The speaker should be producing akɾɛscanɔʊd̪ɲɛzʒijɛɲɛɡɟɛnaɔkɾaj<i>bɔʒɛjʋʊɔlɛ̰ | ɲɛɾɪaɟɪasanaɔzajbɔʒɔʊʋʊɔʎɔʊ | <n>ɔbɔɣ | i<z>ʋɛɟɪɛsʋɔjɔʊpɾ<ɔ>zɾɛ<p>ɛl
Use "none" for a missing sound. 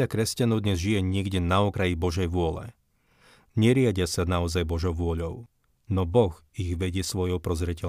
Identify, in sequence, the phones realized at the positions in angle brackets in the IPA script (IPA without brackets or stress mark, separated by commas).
i, n, ɣ, ɔ, c